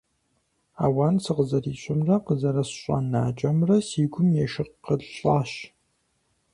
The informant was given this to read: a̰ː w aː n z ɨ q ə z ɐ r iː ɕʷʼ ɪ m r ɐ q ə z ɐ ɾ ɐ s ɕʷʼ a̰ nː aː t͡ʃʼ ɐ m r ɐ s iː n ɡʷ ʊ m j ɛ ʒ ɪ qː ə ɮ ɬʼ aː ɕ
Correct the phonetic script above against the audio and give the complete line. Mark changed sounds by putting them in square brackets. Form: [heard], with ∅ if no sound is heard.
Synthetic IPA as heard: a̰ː w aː n [s] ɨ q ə z ɐ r iː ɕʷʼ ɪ m r ɐ q ə z ɐ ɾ ɐ s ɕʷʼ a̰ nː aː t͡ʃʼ ɐ m r ɐ s iː [∅] ɡʷ ʊ m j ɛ [ʃ] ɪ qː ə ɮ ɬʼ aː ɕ